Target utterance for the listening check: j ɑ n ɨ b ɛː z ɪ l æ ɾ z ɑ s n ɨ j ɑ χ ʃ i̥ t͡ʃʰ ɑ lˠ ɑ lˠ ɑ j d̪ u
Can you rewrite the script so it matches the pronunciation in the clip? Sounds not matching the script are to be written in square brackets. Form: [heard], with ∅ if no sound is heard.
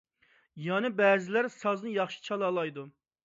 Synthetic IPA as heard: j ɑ n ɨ b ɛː z ɪ l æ ɾ [s] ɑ [z] n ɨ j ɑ χ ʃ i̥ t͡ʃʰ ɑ lˠ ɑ lˠ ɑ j d̪ u